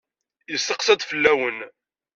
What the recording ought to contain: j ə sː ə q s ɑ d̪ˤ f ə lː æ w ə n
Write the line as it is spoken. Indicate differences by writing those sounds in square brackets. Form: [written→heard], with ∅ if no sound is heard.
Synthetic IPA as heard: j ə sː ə q s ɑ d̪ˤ f ə lː æ w ə n